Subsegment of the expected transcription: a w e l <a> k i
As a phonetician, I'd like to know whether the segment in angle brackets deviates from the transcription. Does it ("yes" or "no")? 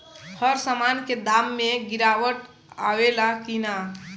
no